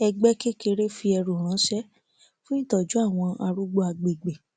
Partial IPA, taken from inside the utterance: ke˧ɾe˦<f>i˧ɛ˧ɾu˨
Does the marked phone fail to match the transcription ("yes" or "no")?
no